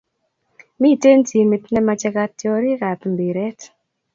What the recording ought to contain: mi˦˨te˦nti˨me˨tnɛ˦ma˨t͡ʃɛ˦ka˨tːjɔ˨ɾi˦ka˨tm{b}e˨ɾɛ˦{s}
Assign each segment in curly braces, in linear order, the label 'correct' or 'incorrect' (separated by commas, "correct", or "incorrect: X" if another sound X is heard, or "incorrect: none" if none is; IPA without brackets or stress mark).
correct, incorrect: t